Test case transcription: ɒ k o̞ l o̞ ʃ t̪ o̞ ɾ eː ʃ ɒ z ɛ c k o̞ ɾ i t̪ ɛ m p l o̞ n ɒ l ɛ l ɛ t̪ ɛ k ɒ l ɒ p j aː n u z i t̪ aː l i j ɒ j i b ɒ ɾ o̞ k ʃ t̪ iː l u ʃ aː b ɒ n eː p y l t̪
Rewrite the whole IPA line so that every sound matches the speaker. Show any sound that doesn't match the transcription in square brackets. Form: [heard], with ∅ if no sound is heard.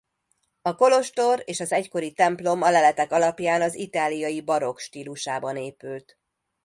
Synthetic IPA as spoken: ɒ k o̞ l o̞ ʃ t̪ o̞ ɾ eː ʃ ɒ z ɛ c k o̞ ɾ i t̪ ɛ m p l o̞ [m] ɒ l ɛ l ɛ t̪ ɛ k ɒ l ɒ p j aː n [ɒ] z i t̪ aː l i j ɒ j i b ɒ ɾ o̞ k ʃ t̪ iː l u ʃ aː b ɒ n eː p y l t̪